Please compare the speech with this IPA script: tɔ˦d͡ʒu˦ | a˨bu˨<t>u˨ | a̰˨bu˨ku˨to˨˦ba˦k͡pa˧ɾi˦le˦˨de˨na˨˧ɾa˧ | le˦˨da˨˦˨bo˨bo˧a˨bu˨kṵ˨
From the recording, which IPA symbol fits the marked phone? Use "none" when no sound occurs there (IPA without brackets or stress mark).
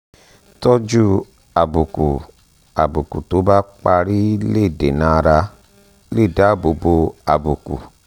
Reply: k